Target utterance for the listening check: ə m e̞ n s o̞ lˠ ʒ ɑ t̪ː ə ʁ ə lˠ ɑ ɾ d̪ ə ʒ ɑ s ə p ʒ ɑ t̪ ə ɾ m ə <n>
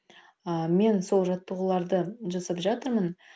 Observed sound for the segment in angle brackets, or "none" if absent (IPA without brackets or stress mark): n